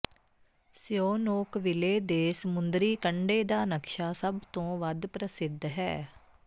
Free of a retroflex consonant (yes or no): no